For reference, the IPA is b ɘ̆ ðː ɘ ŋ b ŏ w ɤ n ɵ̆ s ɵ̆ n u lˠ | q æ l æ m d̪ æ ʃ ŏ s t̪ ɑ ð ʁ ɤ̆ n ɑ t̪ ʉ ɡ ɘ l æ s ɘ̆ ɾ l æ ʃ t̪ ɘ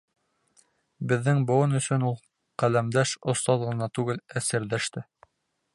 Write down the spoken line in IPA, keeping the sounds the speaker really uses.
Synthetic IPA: b ɘ̆ ðː ɘ ŋ b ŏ w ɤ n ɵ̆ s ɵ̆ n u lˠ | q æ l æ m d̪ æ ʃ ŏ s t̪ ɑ ð ʁ ɤ̆ n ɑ t̪ ʉ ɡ ɘ l æ s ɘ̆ ɾ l æ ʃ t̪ ɘ

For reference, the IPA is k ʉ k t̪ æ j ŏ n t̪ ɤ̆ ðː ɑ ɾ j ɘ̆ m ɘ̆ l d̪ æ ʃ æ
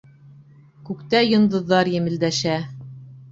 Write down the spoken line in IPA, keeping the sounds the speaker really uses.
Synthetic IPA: k ʉ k t̪ æ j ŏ n d̪ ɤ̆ ðː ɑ ɾ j ɘ̆ m ɘ̆ l d̪ æ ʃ æ

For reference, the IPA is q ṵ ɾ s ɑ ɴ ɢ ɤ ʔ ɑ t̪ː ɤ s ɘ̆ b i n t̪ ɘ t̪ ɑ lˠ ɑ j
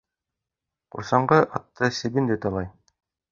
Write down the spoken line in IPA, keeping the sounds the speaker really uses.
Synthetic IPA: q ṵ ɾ s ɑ ɴ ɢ ɤ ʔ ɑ t̪ː ɤ s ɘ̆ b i n d̪ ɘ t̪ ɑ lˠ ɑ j

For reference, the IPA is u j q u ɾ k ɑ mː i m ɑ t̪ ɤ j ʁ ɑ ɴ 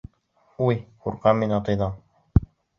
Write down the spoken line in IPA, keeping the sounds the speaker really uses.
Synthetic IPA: u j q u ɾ q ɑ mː i n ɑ t̪ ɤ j ð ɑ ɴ

